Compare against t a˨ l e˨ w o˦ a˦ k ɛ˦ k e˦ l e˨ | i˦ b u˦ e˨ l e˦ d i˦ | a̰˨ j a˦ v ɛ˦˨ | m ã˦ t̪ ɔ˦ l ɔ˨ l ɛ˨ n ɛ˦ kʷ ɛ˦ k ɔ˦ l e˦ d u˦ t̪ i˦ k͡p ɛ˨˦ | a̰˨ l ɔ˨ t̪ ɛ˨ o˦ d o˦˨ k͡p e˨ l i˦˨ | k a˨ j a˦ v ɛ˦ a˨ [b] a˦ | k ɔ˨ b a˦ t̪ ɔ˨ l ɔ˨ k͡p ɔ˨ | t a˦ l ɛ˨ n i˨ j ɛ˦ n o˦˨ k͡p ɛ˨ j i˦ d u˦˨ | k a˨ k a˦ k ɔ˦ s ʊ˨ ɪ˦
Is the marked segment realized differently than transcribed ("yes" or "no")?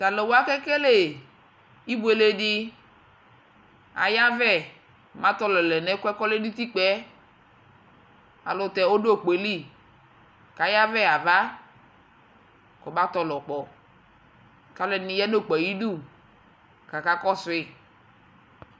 yes